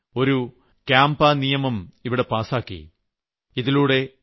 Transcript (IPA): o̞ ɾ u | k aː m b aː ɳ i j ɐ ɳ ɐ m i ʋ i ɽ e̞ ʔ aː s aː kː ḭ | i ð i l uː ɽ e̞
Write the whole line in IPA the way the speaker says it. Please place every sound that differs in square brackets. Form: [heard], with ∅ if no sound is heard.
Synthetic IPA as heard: o̞ ɾ u | k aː m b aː [n] i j ɐ [m] ɐ m i ʋ i ɽ e̞ [p] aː s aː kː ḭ | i ð i l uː ɽ e̞